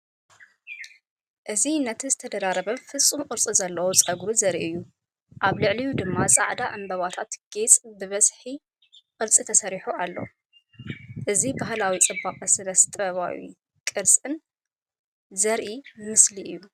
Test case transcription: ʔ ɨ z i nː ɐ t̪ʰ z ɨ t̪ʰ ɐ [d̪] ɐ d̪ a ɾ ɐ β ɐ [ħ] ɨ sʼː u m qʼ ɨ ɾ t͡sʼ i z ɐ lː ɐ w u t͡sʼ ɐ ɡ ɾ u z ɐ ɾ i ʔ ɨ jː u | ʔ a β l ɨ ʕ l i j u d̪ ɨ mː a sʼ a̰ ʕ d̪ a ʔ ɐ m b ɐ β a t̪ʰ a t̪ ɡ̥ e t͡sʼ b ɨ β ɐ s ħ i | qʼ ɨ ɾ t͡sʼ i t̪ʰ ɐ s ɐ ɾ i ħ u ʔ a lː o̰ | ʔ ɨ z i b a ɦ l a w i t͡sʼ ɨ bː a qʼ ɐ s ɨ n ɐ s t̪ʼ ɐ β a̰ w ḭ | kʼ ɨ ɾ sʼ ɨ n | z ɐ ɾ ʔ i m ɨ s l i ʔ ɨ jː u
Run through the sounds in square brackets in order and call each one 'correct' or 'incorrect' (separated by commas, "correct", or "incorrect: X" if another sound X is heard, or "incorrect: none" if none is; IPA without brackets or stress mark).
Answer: correct, incorrect: f